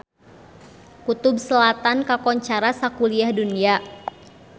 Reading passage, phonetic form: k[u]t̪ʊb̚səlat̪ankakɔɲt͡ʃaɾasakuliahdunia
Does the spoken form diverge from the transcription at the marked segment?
no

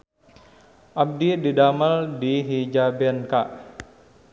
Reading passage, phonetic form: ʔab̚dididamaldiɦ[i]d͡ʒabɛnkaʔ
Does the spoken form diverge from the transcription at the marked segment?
no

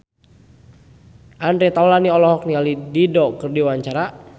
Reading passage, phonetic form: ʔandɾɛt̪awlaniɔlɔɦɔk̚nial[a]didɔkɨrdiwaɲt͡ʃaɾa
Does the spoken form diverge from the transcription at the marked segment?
yes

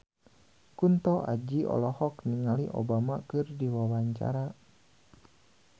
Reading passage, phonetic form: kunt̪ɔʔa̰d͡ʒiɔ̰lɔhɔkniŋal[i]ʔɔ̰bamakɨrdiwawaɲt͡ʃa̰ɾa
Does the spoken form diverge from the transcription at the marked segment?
no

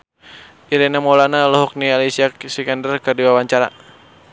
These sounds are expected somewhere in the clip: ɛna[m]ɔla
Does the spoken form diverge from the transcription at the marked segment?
no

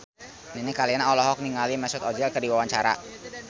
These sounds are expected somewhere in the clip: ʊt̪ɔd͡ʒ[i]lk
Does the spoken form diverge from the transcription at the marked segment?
yes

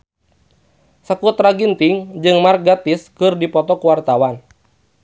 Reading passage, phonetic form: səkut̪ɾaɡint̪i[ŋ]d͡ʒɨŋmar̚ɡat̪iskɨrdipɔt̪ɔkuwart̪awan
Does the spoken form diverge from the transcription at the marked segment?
no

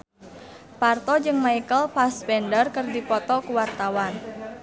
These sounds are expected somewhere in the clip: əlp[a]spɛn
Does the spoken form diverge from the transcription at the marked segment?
no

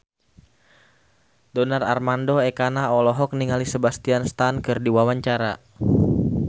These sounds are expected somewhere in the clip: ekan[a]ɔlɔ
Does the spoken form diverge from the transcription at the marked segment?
no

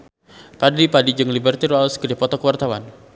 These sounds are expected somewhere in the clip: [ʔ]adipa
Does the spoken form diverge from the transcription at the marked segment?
yes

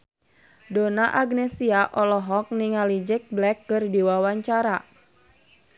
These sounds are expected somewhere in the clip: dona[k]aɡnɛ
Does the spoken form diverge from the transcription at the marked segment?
yes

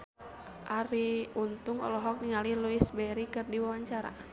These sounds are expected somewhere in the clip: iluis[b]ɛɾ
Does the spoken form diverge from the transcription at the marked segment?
no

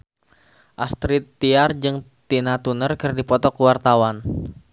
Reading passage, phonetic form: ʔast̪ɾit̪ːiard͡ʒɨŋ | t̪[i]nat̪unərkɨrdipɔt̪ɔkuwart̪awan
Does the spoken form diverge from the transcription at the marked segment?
no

